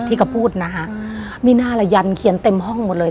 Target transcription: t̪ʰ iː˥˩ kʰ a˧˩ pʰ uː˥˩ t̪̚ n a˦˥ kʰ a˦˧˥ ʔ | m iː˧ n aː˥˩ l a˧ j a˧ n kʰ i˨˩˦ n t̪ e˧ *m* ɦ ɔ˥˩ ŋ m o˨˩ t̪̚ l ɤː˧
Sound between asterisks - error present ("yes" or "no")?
no